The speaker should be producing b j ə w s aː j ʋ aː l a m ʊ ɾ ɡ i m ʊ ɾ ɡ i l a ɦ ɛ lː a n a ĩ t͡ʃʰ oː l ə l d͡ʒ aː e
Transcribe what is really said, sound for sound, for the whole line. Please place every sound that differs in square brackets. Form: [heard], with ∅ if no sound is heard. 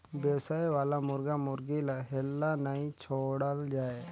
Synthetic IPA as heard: b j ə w s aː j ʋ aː l a m ʊ ɾ ɡ [a] m ʊ ɾ ɡ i l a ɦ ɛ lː a n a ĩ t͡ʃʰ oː [ɽ] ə l d͡ʒ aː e